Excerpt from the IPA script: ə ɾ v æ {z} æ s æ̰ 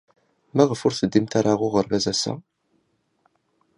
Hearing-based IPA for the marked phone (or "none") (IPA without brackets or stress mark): z